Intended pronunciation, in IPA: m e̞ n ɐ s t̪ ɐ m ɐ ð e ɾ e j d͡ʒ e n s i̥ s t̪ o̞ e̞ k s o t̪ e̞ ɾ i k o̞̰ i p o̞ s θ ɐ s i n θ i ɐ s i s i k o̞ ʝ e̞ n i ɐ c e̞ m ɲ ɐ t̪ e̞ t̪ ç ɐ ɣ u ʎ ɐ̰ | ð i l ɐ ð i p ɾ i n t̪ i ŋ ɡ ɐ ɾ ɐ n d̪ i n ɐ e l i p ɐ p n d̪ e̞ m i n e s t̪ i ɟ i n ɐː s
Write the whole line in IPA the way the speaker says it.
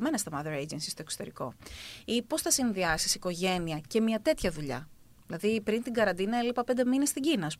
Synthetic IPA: m e̞ n ɐ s t̪ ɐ m ɐ ð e ɾ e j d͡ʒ e n s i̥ s t̪ o̞ e̞ k s o t̪ e̞ ɾ i k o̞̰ i p o̞ s θ ɐ s i n ð i ɐ s i s i k o̞ ʝ e̞ n i ɐ c e̞ m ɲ ɐ t̪ e̞ t̪ ç ɐ ð u ʎ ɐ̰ | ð i l ɐ ð i p ɾ i n t̪ i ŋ ɡ ɐ ɾ ɐ n d̪ i n ɐ e l i p ɐ p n d̪ e̞ m i n e s t̪ i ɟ i n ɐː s